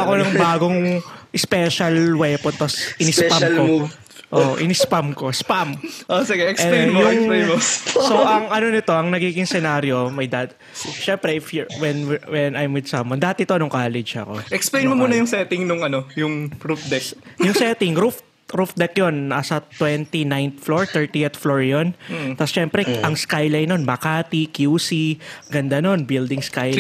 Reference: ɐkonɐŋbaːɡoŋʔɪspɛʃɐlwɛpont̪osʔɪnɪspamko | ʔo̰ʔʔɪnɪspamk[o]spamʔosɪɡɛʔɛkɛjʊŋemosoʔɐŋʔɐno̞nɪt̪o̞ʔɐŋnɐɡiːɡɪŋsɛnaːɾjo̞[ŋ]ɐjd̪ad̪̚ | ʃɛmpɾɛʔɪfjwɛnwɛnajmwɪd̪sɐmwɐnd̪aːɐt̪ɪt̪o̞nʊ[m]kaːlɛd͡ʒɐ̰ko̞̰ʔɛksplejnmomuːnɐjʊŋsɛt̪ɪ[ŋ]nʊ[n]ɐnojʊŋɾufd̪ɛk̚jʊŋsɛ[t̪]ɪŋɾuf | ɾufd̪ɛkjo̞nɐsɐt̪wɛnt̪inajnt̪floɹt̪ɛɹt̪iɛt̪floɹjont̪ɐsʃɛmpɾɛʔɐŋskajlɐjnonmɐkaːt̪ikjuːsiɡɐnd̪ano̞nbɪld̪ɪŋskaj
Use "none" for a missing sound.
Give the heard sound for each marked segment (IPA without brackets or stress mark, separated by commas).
o, m, ŋ, ŋ, ŋ, t̪